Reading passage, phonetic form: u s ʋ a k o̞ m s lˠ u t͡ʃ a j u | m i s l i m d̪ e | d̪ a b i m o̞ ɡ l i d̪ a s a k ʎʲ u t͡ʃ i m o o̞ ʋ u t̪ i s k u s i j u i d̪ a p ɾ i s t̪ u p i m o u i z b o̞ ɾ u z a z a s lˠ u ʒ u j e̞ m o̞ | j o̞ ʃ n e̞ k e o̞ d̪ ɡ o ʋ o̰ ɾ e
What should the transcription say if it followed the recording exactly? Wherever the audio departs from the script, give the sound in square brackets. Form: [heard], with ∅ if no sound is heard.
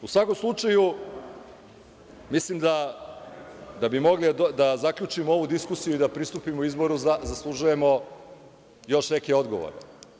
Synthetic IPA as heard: u s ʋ a k o̞ m s lˠ u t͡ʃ a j u | m i s l i m d̪ [a] | d̪ a b i m o̞ ɡ l i d̪ a [z] a k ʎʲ u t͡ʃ i m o o̞ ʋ u [d̪] i s k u s i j u i d̪ a p ɾ i s t̪ u p i m o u i z b o̞ ɾ u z a z a s lˠ u ʒ u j e̞ m o̞ | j o̞ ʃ n e̞ k e o̞ d̪ ɡ o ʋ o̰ ɾ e

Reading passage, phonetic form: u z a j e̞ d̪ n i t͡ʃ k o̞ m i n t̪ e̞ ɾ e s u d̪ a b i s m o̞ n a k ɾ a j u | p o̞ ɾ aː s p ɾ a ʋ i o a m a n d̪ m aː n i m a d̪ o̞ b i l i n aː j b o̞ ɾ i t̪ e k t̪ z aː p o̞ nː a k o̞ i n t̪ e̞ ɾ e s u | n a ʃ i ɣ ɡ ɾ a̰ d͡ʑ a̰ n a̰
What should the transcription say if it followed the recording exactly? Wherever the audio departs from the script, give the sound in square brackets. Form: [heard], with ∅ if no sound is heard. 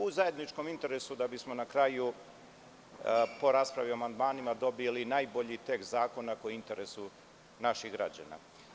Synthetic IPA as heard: u z a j e̞ d̪ n i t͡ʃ k o̞ m i n t̪ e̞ ɾ e s u d̪ a b i s m o̞ n a k ɾ a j u | p o̞ ɾ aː s p ɾ a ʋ i o a m a n d̪ m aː n i m a d̪ o̞ b i l i n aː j b o̞ [ʎ] i t̪ e k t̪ z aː [k] o̞ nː a k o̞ i n t̪ e̞ ɾ e s u | n a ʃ i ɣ ɡ ɾ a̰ d͡ʑ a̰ n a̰

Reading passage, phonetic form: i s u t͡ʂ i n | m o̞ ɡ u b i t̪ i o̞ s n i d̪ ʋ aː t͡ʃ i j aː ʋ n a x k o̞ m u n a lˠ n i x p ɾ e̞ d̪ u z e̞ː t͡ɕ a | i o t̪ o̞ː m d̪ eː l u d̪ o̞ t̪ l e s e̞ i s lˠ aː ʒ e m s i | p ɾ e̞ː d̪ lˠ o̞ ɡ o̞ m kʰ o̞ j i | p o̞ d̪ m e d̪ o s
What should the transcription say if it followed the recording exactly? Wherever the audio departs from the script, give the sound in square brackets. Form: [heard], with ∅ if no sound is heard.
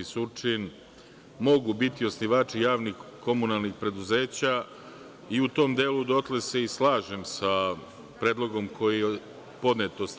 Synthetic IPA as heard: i s u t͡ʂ i n | m o̞ ɡ u b i t̪ i o̞ s n i [∅] ʋ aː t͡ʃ i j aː ʋ n [i] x k o̞ m u n a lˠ n i x p ɾ e̞ d̪ u z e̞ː t͡ɕ a | i [u] t̪ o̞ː m d̪ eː l u d̪ o̞ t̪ l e s e̞ i s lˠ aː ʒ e m s [a] | p ɾ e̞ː d̪ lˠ o̞ ɡ o̞ m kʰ o̞ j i | p o̞ d̪ [n] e [t̪] o s

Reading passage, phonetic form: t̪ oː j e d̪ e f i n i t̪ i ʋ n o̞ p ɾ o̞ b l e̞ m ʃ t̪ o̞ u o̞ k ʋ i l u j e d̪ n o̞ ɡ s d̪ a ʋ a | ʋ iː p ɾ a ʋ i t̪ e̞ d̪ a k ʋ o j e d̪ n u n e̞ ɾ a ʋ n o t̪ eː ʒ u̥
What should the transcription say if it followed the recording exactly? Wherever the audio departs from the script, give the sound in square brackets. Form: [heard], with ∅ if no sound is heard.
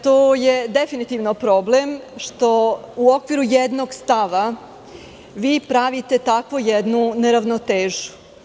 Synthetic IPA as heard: t̪ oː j e d̪ e f i n i t̪ i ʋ n o̞ p ɾ o̞ b l e̞ m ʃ t̪ o̞ u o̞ k ʋ i [ɾ] u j e d̪ n o̞ ɡ s [t̪] a ʋ a | ʋ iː p ɾ a ʋ i t̪ e̞ [t̪] a k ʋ o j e d̪ n u n e̞ ɾ a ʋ n o t̪ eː ʒ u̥

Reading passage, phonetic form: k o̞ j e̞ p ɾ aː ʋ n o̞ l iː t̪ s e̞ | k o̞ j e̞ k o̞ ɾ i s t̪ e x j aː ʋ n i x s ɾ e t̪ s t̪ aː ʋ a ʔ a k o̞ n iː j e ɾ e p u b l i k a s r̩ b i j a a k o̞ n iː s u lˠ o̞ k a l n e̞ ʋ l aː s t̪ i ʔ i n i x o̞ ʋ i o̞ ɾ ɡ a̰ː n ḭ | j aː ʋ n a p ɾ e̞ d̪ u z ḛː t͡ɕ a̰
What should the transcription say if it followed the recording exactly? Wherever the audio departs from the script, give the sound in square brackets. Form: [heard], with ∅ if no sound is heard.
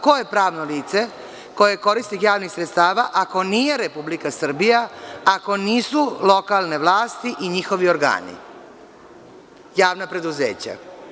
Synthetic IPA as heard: k o̞ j e̞ p ɾ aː ʋ n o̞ l iː t̪ s e̞ | k o̞ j e̞ k o̞ ɾ i s t̪ [i] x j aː ʋ n i x s ɾ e t̪ s t̪ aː ʋ a ʔ a k o̞ n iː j e ɾ e p u b l i k a s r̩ b i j a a k o̞ n iː s u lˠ o̞ k a l n e̞ ʋ l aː s t̪ i ʔ i [ɲ] i x o̞ ʋ i o̞ ɾ ɡ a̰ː n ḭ | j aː ʋ n a p ɾ e̞ d̪ u z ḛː t͡ɕ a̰

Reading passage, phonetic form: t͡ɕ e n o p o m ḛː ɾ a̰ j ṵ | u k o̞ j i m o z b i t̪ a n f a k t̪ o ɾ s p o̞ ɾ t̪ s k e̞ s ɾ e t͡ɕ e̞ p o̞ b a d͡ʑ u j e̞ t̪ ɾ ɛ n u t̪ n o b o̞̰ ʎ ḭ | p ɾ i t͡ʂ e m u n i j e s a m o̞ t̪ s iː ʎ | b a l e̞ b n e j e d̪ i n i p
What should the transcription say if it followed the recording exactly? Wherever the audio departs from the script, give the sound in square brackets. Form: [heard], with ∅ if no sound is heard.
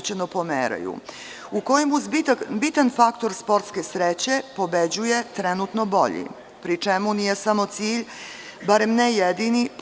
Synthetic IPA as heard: t͡ɕ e n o p o m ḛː ɾ a̰ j ṵ | u k o̞ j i m [u] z b i t̪ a n f a k t̪ o ɾ s p o̞ ɾ t̪ s k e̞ s ɾ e t͡ɕ e̞ p o̞ b [e] d͡ʑ u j e̞ t̪ ɾ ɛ n u t̪ n o b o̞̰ ʎ ḭ | p ɾ i t͡ʂ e m u n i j e s a m o̞ t̪ s iː ʎ | b a [ɾ] e̞ [m] n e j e d̪ i n i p

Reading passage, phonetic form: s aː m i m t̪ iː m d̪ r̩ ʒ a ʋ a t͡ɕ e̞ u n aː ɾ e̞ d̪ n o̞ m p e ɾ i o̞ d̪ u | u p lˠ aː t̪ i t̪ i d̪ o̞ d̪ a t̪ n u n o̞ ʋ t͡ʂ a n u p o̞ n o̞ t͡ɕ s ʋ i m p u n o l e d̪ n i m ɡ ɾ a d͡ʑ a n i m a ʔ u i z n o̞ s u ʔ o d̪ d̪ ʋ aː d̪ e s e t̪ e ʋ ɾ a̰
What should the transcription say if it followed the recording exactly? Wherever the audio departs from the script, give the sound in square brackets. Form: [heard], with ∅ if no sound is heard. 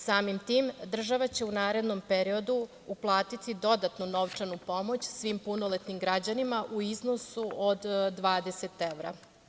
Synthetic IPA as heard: s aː m i m t̪ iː m d̪ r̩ ʒ a ʋ a t͡ɕ e̞ u n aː ɾ e̞ d̪ n o̞ m p e ɾ i o̞ d̪ u | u p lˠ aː t̪ i t̪ i d̪ o̞ d̪ a t̪ n u n o̞ ʋ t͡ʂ a n u p o̞ [m] o̞ t͡ɕ s ʋ i m p u n o l e [t̪] n i m ɡ ɾ a d͡ʑ a n i m a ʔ u i z n o̞ s u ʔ o d̪ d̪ ʋ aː d̪ e s e t̪ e ʋ ɾ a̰

